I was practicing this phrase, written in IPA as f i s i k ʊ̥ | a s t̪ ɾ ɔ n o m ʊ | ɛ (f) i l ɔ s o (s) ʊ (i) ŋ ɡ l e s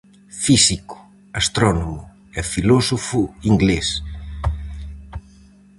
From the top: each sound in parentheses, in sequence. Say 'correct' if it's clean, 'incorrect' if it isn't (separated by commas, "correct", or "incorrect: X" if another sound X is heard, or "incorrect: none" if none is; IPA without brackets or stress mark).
correct, incorrect: f, correct